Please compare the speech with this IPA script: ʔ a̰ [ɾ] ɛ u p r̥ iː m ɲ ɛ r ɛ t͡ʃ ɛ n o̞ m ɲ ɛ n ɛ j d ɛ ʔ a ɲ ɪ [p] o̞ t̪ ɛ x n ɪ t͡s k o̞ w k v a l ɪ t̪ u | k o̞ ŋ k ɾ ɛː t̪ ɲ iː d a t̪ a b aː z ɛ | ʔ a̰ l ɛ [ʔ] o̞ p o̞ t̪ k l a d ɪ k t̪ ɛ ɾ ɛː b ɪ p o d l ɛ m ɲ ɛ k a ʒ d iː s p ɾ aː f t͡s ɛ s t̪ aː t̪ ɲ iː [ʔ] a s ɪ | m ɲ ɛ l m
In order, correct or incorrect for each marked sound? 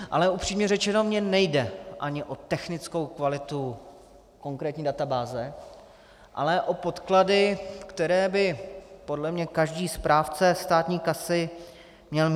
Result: incorrect, incorrect, correct, incorrect

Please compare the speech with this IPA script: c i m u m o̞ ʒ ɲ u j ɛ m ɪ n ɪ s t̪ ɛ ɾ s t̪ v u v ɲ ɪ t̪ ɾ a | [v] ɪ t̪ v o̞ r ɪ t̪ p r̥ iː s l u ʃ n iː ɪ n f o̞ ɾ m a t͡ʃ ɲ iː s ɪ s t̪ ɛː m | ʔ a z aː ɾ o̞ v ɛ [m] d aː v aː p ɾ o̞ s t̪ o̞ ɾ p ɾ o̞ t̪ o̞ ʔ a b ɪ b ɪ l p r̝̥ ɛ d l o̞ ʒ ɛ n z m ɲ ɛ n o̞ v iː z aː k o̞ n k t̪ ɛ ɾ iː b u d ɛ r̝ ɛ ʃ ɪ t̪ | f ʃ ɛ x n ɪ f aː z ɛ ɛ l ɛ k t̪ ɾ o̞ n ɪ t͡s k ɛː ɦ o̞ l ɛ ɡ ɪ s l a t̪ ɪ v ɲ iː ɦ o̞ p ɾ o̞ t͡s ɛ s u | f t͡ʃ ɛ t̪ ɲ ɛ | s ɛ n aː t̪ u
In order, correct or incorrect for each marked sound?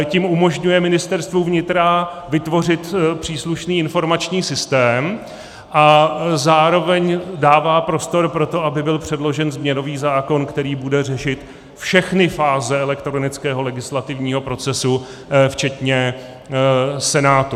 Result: correct, incorrect

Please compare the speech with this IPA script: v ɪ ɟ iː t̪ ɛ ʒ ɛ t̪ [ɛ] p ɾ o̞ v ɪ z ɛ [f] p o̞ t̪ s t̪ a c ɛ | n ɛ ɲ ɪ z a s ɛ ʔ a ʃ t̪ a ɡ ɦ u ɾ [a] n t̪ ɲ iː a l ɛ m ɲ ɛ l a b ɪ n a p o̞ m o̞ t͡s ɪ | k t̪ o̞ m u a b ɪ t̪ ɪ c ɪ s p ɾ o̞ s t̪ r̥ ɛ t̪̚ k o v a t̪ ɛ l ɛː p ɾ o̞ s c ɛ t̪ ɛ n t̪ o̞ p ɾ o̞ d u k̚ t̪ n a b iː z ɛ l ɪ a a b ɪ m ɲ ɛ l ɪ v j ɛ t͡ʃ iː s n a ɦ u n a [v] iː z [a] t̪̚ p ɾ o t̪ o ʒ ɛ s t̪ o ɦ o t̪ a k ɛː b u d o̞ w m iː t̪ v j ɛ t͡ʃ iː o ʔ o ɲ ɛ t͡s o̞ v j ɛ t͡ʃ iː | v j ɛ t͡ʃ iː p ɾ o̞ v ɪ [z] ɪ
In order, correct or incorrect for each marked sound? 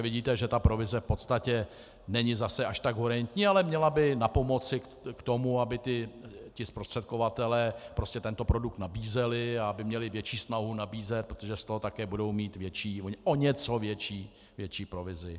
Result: incorrect, correct, incorrect, incorrect, incorrect, correct

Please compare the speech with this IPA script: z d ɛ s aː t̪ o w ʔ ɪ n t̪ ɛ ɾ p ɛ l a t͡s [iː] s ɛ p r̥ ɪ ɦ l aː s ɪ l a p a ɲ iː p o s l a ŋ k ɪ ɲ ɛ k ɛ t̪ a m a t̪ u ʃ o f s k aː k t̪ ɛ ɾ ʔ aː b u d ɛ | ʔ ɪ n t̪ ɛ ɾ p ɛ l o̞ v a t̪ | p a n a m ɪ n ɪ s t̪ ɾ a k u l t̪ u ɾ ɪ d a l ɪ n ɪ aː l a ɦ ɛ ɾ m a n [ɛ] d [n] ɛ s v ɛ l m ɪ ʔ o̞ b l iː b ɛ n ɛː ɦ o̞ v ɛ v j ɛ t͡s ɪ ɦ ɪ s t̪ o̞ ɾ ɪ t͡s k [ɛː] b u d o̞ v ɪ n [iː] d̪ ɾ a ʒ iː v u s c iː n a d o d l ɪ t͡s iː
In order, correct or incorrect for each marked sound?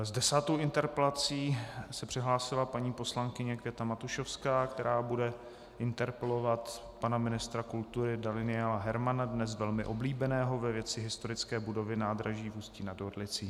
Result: correct, incorrect, correct, correct, incorrect

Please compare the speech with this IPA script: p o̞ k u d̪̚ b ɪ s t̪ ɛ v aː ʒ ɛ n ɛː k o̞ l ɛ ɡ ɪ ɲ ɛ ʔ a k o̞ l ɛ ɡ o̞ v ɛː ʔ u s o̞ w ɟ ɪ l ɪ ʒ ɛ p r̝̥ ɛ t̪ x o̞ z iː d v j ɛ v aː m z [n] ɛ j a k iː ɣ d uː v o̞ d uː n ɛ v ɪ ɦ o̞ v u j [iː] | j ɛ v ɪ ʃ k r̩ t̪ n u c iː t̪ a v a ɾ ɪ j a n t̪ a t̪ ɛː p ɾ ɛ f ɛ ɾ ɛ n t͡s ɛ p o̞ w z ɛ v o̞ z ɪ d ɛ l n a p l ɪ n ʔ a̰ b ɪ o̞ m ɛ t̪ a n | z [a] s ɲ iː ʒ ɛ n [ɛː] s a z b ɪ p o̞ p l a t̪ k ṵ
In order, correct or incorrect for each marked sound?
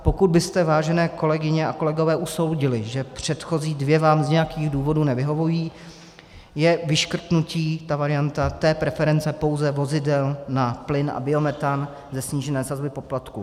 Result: incorrect, correct, incorrect, correct

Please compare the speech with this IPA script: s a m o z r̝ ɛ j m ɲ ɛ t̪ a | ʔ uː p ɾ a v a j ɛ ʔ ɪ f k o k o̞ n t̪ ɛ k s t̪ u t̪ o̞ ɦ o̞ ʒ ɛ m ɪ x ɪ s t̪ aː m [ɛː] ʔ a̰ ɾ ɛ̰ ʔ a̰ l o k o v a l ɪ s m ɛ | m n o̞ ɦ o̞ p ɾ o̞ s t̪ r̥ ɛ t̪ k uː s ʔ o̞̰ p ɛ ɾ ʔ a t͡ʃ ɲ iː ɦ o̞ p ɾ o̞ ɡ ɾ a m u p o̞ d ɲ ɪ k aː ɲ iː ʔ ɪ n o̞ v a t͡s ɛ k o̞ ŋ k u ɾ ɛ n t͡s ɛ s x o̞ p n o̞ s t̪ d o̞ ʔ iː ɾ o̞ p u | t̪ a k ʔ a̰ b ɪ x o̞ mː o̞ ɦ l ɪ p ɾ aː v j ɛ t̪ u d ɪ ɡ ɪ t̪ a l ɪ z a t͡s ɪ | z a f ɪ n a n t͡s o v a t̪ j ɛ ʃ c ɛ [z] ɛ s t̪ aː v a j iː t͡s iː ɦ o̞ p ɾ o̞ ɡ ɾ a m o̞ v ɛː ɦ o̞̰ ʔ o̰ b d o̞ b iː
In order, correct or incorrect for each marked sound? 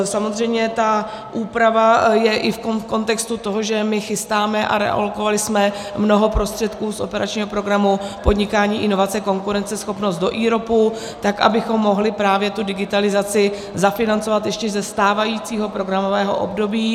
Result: incorrect, correct

